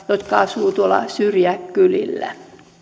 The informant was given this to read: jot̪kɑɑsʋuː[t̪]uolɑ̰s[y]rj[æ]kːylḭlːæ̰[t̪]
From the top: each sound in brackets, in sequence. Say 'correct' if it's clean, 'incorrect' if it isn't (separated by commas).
correct, correct, correct, incorrect